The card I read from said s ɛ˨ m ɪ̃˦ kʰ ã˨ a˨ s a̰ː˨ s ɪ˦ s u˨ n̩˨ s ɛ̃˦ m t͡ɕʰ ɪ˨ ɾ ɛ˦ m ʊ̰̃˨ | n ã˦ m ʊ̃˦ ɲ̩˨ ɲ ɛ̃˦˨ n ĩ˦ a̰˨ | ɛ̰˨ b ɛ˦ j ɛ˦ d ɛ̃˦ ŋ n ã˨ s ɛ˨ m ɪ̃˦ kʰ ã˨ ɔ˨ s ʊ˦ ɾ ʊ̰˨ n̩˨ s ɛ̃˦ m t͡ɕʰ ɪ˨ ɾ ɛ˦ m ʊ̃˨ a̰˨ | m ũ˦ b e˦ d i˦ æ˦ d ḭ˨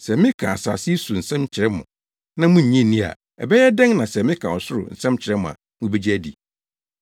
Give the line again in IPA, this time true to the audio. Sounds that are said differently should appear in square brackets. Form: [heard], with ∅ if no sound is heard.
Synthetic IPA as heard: s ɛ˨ m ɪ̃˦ kʰ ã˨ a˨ s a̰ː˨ s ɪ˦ s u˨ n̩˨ s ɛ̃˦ m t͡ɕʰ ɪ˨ ɾ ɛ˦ m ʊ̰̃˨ | n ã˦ m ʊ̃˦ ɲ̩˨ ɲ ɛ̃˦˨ n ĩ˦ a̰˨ | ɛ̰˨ b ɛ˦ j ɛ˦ d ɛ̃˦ ŋ n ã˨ s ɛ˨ m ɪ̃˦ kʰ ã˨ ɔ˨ s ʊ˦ ɾ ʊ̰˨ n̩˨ s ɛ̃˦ m t͡ɕʰ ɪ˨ ɾ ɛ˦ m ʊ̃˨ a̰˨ | m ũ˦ b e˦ [d͡ʑ] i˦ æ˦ d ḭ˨